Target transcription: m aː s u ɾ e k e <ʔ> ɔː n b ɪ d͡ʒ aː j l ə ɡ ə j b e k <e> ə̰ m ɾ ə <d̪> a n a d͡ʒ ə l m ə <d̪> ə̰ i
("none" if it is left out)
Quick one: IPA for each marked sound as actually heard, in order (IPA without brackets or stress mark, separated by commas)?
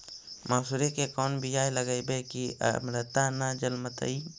k, i, t̪, t̪